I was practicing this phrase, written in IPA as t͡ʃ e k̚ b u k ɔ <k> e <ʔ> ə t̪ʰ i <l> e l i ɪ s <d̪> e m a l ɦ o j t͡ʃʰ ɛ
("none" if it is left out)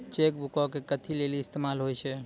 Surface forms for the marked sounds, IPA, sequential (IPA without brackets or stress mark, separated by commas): k, k, l, t̪